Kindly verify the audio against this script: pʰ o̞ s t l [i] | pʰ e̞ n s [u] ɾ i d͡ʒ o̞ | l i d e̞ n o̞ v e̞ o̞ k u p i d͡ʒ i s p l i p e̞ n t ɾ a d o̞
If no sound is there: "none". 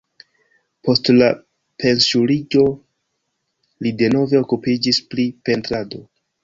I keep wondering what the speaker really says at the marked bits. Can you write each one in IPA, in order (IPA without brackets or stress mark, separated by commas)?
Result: a, u